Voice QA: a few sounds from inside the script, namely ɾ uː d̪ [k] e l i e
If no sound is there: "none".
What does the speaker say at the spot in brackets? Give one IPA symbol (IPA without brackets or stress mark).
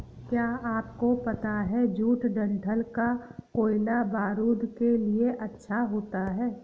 k